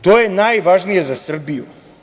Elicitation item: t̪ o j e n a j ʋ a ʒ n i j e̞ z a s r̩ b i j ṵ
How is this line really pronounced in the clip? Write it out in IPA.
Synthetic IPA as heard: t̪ o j e n a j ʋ a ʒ n i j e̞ z a s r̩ b i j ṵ